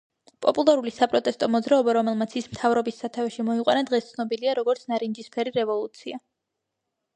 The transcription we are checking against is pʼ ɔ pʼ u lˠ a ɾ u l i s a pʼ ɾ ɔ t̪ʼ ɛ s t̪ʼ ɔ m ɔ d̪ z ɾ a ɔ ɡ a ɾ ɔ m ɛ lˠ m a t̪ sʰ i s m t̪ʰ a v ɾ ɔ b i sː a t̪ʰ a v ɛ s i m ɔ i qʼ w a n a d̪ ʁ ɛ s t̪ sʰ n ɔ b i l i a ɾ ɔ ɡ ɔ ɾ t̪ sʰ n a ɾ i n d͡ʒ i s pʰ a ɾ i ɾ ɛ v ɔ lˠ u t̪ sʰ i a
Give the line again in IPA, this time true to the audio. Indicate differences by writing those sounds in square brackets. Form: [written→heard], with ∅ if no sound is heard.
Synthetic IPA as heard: pʼ ɔ pʼ u lˠ a ɾ u l i s a pʼ ɾ ɔ t̪ʼ ɛ s t̪ʼ ɔ m ɔ d̪ z ɾ a ɔ [ɡ→b] a ɾ ɔ m ɛ lˠ m a t̪ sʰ i s m t̪ʰ a v ɾ ɔ b i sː a t̪ʰ a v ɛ [s→ʃ] i m ɔ i qʼ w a n a d̪ ʁ ɛ s t̪ sʰ n ɔ b i l i a ɾ ɔ ɡ ɔ ɾ t̪ sʰ n a ɾ i n d͡ʒ i s pʰ [a→ɛ] ɾ i ɾ ɛ v ɔ lˠ u t̪ sʰ i a

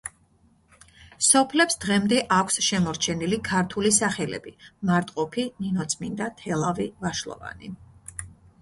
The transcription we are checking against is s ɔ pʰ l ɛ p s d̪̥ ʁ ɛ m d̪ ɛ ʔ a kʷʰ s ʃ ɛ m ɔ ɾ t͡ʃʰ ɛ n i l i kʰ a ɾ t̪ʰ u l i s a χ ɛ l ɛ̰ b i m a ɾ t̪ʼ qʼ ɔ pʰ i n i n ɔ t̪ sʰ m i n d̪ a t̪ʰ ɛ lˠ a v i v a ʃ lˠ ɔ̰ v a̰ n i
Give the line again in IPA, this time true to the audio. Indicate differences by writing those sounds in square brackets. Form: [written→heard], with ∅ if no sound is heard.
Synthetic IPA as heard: s ɔ pʰ l ɛ p s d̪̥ ʁ ɛ m d̪ ɛ ʔ a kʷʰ s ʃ ɛ m ɔ ɾ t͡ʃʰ ɛ n i l i kʰ a ɾ t̪ʰ u l i s a χ ɛ l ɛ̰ b i m a ɾ t̪ʼ qʼ ɔ pʰ i n i n ɔ t̪ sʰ m i n d̪ a t̪ʰ ɛ lˠ a v i v a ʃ lˠ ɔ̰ v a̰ n i

